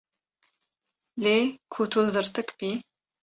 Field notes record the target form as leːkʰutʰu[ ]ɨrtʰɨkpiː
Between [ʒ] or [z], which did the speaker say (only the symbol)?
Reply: z